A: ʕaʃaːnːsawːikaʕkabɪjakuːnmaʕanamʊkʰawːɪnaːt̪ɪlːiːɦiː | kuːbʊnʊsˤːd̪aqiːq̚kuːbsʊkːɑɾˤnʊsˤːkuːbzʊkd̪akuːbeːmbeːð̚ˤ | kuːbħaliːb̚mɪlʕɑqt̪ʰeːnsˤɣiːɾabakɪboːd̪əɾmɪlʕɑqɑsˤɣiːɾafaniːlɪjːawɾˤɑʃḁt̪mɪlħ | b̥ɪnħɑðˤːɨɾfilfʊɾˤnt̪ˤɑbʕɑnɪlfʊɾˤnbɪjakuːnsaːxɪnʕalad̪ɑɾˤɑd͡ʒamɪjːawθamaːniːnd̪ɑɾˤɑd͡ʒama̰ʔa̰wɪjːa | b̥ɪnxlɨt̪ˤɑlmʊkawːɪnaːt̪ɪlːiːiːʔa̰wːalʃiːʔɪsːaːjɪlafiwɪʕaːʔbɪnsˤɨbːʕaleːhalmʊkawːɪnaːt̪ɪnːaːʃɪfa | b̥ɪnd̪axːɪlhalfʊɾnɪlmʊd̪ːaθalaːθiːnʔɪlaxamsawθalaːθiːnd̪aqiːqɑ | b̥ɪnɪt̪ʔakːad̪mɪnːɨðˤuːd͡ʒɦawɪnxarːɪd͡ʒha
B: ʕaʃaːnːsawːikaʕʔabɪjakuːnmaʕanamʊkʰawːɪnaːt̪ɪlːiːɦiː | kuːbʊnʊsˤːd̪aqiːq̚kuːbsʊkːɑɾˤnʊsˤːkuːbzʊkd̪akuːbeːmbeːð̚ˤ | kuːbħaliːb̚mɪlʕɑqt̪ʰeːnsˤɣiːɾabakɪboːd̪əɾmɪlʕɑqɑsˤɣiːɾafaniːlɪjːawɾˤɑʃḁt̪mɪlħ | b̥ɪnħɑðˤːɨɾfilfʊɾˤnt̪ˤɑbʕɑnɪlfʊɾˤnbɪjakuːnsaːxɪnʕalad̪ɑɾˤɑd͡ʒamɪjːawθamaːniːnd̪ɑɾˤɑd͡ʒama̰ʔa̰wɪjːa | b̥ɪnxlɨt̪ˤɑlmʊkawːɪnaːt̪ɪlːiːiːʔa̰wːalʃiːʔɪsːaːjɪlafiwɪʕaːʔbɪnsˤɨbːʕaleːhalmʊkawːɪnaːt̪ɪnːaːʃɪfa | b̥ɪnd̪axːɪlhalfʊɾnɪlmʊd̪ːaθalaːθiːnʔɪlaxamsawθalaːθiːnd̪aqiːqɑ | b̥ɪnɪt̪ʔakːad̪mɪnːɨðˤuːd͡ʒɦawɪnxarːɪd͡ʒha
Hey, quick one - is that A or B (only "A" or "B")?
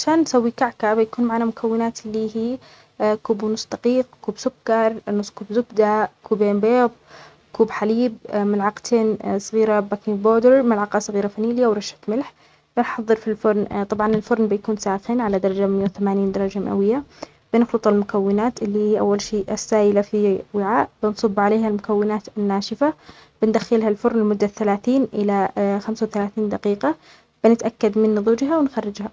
A